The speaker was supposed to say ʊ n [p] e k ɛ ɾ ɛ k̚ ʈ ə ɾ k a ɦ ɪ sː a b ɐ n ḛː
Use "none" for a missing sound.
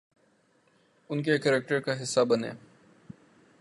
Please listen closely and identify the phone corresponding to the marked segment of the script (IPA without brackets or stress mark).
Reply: k